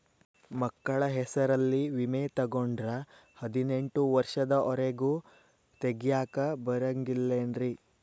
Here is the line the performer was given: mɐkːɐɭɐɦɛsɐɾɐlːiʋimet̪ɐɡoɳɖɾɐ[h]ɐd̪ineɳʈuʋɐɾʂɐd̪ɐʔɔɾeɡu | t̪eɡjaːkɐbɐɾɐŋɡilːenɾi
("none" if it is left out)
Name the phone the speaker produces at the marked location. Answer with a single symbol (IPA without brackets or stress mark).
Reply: h